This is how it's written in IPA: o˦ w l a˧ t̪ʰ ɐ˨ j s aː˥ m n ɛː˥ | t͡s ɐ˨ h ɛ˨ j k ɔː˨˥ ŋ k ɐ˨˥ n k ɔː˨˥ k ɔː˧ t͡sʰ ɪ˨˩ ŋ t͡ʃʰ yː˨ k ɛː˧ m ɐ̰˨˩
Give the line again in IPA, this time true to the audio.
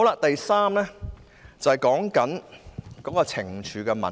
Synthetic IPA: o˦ w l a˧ t̪ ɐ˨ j s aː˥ m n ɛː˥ | t͡s ɐ˨ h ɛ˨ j k ɔː˨˥ ŋ k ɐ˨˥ n k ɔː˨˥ k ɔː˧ t͡sʰ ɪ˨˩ ŋ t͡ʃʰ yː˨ k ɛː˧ m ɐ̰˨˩